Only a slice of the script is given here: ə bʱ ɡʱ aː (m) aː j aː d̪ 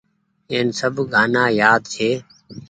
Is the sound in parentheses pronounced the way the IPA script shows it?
no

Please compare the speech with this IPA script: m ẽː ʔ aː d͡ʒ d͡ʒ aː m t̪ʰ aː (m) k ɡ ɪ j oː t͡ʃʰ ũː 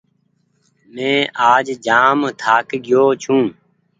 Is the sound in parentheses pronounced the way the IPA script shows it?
no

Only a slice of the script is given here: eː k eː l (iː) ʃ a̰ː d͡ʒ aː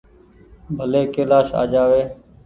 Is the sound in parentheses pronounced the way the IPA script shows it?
no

